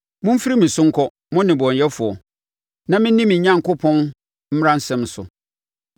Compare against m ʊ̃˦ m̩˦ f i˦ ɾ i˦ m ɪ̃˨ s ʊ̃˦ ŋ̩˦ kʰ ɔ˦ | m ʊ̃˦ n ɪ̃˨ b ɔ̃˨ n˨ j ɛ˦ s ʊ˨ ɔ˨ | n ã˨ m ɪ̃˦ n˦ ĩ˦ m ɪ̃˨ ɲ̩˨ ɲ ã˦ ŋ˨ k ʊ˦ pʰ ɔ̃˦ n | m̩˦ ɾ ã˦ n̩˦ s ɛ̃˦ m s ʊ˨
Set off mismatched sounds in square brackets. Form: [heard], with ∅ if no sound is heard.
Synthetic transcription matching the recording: m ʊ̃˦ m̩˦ f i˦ ɾ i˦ m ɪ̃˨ s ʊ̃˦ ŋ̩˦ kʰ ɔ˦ | m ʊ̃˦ n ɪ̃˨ b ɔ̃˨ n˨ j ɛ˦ [f] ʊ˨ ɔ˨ | n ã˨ m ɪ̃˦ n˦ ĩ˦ m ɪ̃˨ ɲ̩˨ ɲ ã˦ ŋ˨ k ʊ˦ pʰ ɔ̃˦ n | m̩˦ ɾ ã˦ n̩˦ s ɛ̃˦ m s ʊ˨